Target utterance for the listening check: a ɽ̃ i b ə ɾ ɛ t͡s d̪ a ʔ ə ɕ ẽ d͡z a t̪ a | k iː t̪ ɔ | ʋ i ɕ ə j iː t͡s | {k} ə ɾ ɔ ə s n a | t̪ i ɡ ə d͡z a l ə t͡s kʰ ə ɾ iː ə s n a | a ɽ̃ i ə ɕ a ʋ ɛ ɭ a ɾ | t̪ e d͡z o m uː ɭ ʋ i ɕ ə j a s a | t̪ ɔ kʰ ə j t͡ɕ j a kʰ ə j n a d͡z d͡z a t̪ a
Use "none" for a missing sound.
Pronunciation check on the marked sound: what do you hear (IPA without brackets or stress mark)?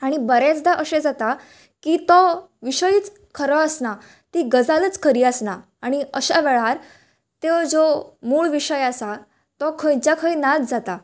kʰ